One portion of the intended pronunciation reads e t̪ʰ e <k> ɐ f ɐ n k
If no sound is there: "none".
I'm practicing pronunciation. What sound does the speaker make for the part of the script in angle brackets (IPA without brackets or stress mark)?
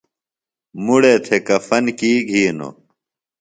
k